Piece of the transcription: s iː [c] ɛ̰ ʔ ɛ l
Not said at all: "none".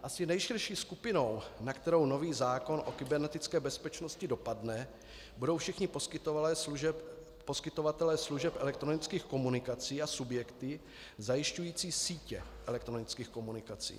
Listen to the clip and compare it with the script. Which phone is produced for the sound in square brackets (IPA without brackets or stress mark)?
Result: c